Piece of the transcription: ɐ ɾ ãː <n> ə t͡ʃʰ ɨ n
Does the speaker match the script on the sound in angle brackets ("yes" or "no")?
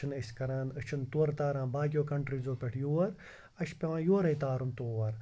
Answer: yes